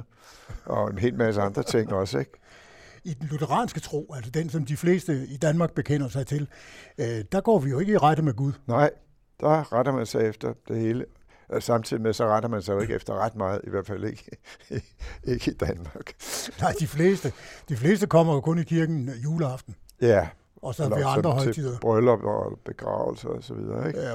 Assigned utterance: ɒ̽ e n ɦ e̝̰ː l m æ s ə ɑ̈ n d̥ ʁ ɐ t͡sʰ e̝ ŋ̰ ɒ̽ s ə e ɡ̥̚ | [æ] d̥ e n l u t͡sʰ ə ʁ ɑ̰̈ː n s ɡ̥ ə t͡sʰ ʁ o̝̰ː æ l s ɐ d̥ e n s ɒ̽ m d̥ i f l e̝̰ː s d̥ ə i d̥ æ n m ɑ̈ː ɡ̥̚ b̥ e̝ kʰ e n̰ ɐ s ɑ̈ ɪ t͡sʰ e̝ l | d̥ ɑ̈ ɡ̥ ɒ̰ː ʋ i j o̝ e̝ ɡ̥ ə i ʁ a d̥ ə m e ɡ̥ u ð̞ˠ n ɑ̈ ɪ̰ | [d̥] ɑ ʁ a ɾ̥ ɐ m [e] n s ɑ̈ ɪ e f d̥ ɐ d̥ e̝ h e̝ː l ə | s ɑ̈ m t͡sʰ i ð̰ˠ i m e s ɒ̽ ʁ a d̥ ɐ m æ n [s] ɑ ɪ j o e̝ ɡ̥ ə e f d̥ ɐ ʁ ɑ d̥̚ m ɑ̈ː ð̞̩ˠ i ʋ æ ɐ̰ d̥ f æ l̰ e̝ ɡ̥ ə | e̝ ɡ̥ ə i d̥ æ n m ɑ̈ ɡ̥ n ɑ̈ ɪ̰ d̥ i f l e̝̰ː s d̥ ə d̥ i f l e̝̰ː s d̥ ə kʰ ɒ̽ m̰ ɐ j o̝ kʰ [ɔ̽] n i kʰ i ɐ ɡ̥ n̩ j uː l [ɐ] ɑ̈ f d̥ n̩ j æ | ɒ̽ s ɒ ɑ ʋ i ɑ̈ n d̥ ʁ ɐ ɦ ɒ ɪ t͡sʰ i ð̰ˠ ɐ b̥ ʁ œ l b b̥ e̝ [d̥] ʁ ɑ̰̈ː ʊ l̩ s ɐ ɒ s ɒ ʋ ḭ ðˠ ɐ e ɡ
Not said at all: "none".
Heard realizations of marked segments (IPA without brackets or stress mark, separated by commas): i, d̥, æ, s, ɔ̽, ə, ɡ̥